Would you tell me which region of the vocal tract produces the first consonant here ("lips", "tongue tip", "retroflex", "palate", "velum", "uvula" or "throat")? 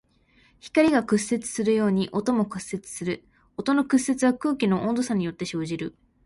palate